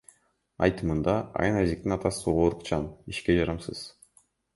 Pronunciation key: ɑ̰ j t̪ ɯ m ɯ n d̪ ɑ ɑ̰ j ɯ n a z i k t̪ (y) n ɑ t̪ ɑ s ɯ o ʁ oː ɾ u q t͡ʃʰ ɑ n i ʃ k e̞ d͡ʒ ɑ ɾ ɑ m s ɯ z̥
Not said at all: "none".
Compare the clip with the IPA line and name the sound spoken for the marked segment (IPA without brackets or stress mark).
i